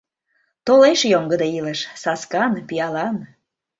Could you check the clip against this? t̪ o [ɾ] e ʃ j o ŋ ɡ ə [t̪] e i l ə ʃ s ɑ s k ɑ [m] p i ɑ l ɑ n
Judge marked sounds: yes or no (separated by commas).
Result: no, no, no